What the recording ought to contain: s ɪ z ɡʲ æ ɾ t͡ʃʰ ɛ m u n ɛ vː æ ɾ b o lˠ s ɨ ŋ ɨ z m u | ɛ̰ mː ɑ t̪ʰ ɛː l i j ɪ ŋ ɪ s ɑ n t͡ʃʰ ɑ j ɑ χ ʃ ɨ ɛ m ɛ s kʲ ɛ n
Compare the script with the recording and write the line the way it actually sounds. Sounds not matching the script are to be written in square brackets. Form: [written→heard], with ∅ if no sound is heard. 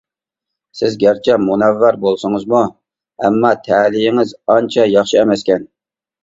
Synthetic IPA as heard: s ɪ z ɡʲ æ ɾ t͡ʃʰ ɛ m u n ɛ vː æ ɾ b o lˠ s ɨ ŋ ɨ z m u | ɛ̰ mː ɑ t̪ʰ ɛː l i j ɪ ŋ ɪ [s→z] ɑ n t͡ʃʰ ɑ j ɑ χ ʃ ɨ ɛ m ɛ s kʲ ɛ n